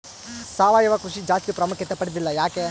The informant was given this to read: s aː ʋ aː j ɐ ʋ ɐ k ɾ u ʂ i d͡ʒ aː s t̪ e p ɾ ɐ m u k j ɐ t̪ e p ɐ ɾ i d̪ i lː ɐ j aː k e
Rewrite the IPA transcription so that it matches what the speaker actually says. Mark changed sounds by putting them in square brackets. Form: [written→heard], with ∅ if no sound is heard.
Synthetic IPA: s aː ʋ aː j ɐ ʋ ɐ k ɾ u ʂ i d͡ʒ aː s t̪ [e→i] p ɾ ɐ m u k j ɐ t̪ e p ɐ [ɾ→ɽ] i d̪ i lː ɐ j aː k e